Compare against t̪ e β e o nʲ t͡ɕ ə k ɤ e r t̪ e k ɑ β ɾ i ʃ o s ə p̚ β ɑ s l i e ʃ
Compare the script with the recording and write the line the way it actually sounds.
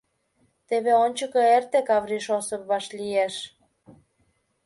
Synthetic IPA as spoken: t̪ e β e o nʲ t͡ɕ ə k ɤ e r t̪ e k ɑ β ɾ i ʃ o s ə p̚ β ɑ ʃ l i e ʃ